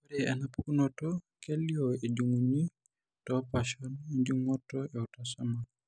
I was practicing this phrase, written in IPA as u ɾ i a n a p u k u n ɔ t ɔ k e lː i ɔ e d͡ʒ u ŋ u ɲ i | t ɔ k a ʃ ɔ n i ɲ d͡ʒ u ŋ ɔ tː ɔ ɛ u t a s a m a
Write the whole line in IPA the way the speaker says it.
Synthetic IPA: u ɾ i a n a p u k u n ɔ t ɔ k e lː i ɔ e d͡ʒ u ŋ u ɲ i | t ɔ p a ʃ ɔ n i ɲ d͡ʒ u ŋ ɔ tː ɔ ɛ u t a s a m a